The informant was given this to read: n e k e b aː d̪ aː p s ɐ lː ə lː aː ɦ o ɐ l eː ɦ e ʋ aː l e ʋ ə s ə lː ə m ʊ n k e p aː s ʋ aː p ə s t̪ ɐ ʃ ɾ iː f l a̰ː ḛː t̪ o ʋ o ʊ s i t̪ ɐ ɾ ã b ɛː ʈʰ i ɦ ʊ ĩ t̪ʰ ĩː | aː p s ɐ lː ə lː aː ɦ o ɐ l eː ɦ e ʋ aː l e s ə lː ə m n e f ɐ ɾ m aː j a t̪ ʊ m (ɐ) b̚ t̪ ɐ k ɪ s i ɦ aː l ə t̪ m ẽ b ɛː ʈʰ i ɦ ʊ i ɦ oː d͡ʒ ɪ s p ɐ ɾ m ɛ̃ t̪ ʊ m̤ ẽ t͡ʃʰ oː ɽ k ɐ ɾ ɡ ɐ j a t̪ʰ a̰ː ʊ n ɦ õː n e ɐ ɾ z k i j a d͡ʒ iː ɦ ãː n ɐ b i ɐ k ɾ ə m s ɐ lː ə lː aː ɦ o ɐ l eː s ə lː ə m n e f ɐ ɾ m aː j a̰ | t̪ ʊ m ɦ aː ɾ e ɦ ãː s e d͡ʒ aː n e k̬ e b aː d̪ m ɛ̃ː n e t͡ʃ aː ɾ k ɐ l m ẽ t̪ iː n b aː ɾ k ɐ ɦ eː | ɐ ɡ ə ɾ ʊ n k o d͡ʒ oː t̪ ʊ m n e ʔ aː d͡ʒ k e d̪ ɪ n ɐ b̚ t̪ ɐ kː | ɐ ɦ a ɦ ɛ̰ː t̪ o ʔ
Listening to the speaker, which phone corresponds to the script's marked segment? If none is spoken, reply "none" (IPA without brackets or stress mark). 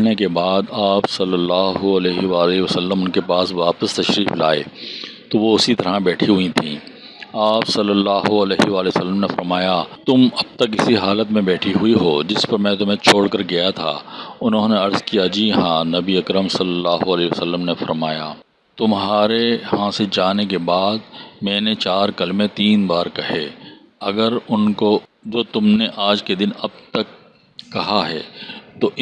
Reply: ɐ